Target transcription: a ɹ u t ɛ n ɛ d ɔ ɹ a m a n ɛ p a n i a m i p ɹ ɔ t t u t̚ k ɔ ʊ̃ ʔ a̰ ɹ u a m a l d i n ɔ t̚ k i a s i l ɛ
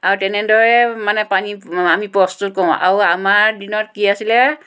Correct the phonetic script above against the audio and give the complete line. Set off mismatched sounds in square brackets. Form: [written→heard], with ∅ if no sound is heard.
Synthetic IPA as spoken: a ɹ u t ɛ n ɛ d ɔ ɹ [a→ɛ] m a n ɛ p a n i a m i p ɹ ɔ [t→s] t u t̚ k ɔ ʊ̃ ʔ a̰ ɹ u a m a [l→ɹ] d i n ɔ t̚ k i a s i l ɛ

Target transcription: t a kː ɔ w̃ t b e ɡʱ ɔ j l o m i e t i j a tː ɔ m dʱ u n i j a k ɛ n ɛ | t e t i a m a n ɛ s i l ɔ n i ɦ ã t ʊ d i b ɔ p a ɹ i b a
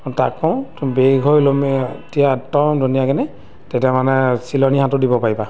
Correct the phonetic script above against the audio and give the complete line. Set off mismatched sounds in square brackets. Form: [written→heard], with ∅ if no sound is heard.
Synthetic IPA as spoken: t a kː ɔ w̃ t b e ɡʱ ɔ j l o m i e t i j a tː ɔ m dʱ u n i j a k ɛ n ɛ | t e t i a m a n ɛ s i l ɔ n i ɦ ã t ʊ d i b ɔ p a ɹ i b a

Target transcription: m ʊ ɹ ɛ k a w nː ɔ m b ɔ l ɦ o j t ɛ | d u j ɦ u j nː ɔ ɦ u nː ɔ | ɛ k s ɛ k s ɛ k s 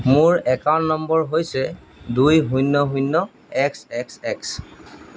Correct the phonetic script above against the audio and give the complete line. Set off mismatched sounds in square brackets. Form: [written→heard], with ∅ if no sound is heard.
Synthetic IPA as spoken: m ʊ ɹ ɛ k a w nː ɔ m b ɔ [l→ɹ] ɦ o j [t→s] ɛ | d u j ɦ u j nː ɔ ɦ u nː ɔ | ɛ k s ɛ k s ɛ k s

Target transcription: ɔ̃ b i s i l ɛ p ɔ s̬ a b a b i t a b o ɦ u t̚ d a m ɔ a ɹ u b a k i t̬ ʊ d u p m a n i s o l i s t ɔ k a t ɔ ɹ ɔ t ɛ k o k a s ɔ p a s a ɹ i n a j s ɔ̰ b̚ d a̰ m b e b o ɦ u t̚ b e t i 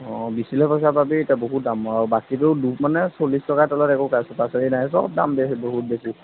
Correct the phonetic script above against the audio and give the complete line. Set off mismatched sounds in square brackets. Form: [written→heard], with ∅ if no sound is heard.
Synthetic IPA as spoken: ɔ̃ b i s i l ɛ p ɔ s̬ a b a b i t a b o ɦ u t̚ d a m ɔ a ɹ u b a k i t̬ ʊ d u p m a n [i→ɛ] s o l i s t ɔ k a t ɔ [ɹ→l] ɔ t ɛ k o k a s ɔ p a s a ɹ i n a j s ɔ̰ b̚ d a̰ m b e b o ɦ u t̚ b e [t→s] i

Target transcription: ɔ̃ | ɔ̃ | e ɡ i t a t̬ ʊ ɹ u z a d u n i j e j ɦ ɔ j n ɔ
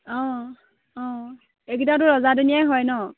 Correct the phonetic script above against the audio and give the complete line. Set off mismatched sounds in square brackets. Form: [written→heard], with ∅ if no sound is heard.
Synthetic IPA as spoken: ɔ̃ | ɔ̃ | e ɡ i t a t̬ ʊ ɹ [u→ɔ] z a d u n i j [e→a] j ɦ ɔ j n ɔ

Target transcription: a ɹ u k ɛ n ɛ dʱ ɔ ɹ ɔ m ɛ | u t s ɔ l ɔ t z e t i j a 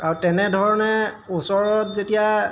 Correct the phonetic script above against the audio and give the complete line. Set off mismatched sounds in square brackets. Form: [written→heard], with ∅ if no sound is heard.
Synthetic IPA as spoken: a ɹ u [k→t] ɛ n ɛ dʱ ɔ ɹ ɔ [m→n] ɛ | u [t→∅] s ɔ [l→ɹ] ɔ t z e t i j a

